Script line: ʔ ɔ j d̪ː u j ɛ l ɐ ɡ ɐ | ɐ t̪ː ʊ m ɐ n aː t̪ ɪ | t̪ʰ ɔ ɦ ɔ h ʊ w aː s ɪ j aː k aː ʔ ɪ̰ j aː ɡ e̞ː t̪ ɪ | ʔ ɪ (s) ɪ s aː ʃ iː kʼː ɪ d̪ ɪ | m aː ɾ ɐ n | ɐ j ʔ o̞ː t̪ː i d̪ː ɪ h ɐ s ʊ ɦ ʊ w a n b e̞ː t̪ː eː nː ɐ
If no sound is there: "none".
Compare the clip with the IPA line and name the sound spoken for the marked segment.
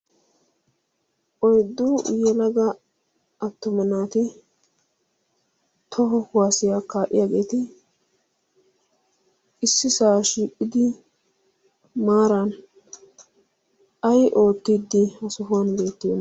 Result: sː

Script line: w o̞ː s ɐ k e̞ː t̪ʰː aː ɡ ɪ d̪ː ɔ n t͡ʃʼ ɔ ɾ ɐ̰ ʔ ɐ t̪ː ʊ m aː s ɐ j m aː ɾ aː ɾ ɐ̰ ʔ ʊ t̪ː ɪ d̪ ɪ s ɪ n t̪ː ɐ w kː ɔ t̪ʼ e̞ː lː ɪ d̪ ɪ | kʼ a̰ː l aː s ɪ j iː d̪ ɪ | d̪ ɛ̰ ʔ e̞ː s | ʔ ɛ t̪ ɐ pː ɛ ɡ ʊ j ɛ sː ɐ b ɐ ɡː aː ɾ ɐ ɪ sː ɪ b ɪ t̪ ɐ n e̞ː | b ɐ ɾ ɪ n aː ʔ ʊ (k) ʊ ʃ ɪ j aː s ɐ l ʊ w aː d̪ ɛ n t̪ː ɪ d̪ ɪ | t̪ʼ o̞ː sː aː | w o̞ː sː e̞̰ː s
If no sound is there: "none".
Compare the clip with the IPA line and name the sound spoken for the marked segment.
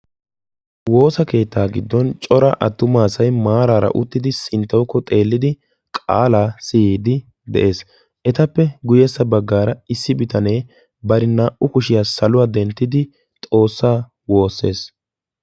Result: k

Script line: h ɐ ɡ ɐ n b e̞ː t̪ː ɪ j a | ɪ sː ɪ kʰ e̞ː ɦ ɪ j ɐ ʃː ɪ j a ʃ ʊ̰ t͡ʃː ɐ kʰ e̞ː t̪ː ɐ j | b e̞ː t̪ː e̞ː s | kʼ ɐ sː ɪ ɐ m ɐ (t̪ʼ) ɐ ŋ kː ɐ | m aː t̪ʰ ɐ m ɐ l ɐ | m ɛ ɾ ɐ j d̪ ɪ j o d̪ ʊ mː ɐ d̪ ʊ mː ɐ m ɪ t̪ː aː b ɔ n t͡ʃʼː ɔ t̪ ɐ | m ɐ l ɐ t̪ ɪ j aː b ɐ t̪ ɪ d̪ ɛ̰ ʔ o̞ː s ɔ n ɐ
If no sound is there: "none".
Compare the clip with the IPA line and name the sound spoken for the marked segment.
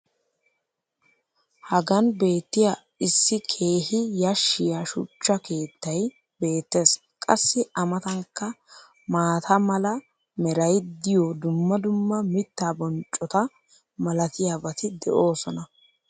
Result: t̪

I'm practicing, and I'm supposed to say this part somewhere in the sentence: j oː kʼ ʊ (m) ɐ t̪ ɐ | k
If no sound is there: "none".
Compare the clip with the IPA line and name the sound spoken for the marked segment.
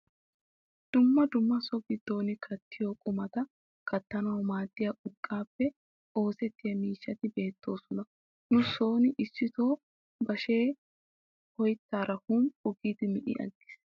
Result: m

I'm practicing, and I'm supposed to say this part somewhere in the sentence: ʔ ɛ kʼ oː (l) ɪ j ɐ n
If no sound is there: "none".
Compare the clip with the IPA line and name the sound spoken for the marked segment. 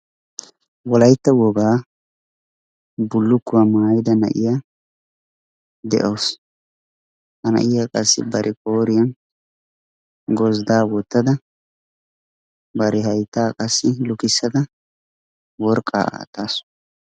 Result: ɾ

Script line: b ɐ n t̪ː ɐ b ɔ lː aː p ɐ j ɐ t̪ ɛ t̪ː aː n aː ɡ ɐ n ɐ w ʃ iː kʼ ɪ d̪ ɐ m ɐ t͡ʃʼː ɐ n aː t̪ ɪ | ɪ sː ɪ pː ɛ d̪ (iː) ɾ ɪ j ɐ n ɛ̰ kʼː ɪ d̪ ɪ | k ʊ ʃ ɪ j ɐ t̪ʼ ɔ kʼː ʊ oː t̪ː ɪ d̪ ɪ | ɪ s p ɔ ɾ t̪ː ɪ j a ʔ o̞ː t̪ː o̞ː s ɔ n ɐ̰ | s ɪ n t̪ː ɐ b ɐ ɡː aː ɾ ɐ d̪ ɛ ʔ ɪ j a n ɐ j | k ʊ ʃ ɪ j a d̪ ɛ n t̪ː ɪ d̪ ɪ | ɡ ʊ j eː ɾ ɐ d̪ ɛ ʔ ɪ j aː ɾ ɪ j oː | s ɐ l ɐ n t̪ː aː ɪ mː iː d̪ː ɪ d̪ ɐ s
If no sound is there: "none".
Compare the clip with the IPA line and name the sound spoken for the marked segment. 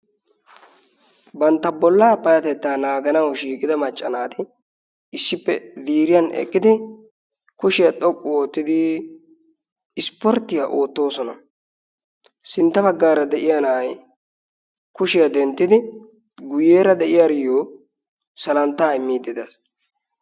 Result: iː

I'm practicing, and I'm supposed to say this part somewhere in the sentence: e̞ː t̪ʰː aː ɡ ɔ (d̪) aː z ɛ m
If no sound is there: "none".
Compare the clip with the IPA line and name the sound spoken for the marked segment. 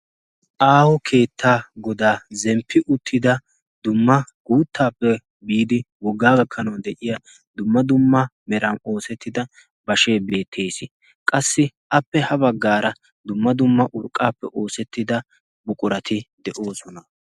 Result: d̪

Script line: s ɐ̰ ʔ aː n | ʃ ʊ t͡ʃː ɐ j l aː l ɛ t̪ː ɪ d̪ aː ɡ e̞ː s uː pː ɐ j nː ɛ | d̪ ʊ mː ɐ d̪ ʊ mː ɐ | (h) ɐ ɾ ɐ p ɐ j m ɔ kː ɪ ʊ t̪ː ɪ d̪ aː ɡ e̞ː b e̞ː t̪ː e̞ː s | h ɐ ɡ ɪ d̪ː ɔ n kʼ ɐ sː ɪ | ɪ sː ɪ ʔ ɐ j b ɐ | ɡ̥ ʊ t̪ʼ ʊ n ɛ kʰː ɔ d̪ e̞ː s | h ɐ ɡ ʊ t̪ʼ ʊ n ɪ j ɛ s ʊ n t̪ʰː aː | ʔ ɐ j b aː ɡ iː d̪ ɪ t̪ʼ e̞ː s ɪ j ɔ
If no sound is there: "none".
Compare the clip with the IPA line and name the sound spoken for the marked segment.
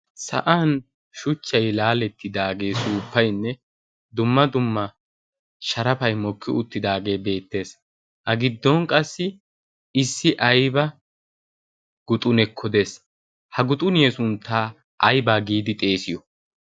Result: ʃ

